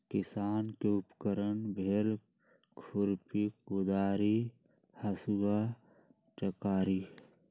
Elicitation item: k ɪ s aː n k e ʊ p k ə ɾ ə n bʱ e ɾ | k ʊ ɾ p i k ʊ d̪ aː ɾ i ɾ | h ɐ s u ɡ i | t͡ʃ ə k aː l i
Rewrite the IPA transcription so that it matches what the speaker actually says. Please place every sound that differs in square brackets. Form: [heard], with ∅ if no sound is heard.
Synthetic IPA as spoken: k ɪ s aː n k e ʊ p k ə ɾ ə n bʱ e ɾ | [kʰ] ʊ ɾ p i k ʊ d̪ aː ɾ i [∅] | h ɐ s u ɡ [a] | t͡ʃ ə k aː [ɾ] i